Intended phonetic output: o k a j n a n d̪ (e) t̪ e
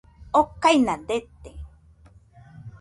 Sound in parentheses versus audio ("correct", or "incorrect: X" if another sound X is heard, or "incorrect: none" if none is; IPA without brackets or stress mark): correct